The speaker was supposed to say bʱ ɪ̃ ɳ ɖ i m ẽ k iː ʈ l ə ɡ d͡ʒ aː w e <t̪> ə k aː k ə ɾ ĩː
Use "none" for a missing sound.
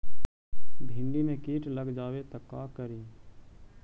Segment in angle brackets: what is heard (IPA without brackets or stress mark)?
t̪